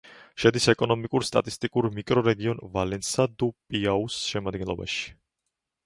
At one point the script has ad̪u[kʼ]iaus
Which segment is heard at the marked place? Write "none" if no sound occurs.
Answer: pʼ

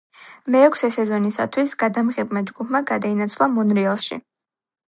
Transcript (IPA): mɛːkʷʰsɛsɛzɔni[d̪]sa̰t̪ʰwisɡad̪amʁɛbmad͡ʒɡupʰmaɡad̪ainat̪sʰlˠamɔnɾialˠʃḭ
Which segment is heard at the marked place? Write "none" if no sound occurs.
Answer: none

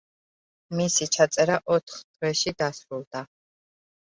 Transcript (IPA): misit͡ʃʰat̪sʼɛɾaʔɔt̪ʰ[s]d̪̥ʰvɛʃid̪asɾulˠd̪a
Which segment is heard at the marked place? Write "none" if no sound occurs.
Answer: χ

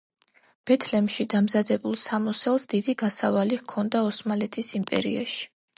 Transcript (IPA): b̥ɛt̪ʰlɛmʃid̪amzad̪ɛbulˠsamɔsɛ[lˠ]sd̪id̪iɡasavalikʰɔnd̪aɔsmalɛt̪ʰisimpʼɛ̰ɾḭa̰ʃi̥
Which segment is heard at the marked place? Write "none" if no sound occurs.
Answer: lˠ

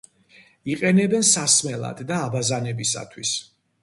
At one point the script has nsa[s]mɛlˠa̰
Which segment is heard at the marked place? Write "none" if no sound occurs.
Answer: s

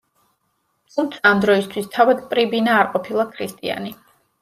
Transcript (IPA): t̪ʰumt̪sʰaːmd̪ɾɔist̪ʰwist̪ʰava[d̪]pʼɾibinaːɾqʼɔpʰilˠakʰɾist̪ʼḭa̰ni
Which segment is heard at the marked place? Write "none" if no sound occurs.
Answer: d̪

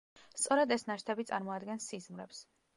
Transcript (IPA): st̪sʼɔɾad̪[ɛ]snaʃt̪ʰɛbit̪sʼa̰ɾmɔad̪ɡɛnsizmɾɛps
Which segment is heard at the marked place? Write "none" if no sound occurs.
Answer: ɛ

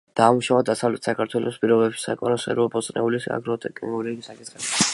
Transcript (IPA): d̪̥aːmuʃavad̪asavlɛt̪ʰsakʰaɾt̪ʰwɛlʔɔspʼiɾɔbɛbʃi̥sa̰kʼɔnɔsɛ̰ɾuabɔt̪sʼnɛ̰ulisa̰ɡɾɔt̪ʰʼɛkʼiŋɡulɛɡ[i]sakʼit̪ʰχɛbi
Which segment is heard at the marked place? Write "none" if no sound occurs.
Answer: i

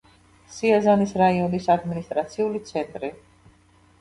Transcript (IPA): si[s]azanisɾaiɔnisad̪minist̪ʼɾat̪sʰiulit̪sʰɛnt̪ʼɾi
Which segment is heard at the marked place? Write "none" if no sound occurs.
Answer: none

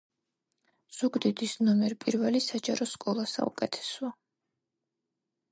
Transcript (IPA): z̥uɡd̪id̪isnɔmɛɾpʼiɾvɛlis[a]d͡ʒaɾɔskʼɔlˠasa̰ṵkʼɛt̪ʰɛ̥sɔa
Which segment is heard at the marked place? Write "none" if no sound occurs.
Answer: a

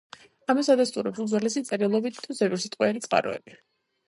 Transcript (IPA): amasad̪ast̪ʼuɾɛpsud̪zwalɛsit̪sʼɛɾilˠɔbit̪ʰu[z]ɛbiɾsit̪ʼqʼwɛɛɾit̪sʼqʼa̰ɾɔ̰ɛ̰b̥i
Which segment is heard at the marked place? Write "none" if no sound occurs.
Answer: z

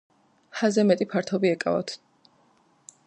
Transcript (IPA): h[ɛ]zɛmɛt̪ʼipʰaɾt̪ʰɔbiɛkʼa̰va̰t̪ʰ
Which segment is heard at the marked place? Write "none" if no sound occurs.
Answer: a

